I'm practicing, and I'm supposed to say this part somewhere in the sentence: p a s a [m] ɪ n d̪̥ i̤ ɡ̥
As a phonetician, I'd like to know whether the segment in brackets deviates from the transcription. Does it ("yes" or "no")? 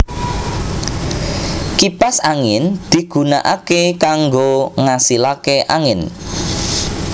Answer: yes